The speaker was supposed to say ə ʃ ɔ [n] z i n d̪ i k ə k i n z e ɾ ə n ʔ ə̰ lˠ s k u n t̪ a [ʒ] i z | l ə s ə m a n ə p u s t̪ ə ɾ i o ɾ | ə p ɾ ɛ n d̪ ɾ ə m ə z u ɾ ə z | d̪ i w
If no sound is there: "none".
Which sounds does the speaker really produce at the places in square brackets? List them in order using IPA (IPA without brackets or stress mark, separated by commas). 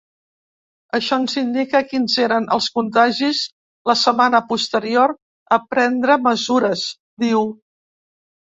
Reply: n, ʒ